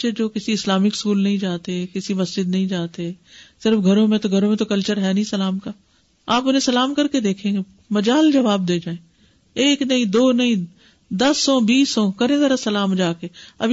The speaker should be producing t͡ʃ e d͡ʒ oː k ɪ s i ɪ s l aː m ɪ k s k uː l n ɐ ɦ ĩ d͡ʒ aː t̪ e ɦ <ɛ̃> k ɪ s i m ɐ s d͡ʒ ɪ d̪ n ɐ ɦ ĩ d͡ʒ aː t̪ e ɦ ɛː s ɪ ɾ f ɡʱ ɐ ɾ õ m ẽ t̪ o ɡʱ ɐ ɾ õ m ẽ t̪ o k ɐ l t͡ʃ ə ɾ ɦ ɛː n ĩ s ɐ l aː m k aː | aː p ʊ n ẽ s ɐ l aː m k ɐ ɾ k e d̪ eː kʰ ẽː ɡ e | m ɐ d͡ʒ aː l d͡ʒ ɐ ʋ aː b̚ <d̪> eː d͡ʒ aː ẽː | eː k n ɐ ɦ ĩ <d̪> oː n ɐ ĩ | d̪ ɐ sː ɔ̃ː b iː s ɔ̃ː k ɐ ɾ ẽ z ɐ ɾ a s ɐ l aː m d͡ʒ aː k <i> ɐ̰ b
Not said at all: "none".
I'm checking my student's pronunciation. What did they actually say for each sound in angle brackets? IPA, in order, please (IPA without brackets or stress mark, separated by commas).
ɛ, d̪, d̪, e